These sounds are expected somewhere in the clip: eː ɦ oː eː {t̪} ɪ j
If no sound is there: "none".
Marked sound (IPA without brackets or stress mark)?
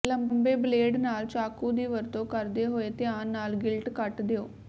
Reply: t̪